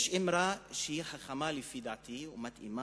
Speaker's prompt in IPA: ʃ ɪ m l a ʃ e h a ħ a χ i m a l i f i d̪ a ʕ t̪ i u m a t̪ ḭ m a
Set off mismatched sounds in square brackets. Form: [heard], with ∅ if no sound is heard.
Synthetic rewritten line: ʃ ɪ m [ɾ] a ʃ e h [i] ħ a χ [a] m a l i f i d̪ a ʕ t̪ i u m a t̪ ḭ m a